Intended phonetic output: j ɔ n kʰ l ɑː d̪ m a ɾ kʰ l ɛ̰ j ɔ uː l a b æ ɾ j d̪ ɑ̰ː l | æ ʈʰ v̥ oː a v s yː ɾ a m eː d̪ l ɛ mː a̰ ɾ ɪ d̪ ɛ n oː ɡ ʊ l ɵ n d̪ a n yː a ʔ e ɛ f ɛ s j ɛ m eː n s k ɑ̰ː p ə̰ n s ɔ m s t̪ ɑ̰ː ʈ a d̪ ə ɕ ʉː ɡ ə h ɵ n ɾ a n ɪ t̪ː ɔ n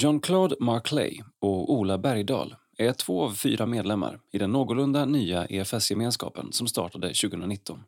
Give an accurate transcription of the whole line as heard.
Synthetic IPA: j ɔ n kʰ l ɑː d̪ m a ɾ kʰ l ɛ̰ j ɔ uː l a b æ ɾ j d̪ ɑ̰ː l | æ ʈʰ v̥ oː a v f yː ɾ a m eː d̪ l ɛ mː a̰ ɾ ɪ d̪ ɛ nː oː ɡ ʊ l ɵ n d̪ a n yː a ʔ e ɛ f ɛ s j ɛ m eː n s k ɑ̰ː p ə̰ n s ɔ m s t̪ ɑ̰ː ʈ a d̪ ə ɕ ʉː ɡ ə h ɵ n ɾ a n ɪ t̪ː ɔ n